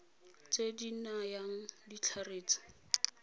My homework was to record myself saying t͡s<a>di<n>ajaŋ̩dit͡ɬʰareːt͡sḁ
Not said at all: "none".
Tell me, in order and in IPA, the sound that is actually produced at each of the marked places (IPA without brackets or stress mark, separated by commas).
e, n